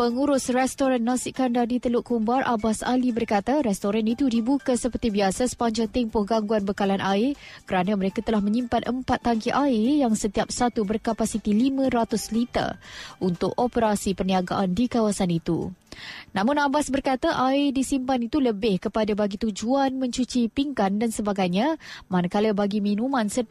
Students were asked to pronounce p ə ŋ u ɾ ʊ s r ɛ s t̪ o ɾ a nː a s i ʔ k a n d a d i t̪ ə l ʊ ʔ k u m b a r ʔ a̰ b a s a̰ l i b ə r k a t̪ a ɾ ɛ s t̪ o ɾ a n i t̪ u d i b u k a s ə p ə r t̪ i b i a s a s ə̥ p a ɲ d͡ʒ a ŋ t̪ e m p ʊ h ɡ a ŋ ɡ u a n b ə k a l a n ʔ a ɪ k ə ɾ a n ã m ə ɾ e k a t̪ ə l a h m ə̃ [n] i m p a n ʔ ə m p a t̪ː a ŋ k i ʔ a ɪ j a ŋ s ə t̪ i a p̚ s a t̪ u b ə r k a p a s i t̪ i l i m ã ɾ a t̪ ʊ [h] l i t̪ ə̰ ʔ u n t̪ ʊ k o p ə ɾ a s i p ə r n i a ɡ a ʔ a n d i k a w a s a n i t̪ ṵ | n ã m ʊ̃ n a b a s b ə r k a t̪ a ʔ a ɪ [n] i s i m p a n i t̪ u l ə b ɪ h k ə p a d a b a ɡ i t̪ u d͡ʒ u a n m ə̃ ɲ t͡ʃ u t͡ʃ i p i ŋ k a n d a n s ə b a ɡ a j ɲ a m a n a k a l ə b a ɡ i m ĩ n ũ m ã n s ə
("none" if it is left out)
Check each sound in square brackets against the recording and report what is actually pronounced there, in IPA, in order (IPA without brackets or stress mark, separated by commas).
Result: ɲ, s, d